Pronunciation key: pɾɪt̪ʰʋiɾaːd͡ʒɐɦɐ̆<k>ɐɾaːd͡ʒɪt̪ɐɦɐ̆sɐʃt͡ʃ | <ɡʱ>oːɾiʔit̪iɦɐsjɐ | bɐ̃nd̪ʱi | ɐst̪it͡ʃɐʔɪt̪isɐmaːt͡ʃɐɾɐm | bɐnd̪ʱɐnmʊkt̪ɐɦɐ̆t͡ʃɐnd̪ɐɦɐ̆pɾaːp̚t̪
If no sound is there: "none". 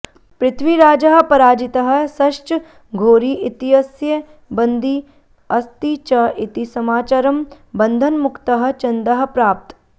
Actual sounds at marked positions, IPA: p, ɡʱ

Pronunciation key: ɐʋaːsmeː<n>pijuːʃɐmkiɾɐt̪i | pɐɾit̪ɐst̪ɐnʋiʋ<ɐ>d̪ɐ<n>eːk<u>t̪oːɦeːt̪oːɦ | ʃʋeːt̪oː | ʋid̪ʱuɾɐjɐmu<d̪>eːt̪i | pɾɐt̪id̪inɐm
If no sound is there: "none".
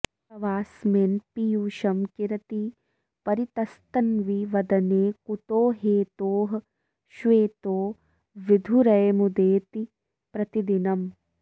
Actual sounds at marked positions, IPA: n, ɐ, n, u, d̪

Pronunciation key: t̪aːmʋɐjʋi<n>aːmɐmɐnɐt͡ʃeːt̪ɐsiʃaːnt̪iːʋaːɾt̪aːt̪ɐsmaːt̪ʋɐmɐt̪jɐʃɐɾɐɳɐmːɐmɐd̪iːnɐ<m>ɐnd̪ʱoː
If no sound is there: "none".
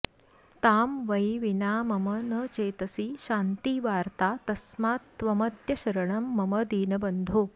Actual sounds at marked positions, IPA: n, b

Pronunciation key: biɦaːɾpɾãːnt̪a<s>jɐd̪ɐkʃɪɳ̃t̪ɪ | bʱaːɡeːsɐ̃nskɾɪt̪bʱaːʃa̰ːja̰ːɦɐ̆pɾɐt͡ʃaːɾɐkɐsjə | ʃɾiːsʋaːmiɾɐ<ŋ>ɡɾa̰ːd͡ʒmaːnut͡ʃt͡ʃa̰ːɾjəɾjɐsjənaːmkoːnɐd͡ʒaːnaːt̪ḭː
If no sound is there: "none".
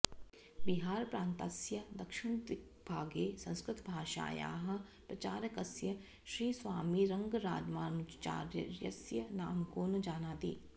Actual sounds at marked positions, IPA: s, ŋ

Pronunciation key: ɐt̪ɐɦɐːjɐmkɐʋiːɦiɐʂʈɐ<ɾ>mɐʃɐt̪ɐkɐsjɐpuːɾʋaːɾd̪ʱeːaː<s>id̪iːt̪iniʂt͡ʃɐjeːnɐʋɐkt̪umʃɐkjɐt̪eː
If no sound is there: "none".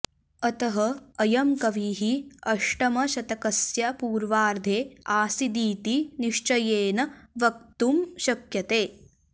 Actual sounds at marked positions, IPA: none, s

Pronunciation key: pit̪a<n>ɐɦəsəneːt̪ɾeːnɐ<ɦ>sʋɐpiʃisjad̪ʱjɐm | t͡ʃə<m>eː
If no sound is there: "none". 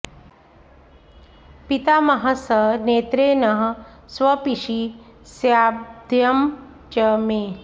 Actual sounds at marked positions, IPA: m, ɦ, m

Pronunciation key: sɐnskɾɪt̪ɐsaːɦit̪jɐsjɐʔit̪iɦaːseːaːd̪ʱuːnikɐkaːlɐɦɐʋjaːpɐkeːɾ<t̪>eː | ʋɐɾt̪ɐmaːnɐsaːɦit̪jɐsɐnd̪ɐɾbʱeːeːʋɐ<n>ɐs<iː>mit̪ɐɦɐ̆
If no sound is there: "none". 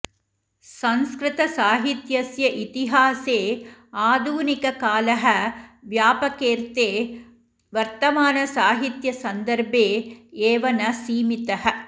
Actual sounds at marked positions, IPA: t̪, n, iː

